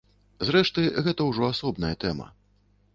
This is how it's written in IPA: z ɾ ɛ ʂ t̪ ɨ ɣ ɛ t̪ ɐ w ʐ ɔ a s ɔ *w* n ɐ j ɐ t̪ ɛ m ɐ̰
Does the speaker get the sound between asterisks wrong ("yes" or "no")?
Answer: yes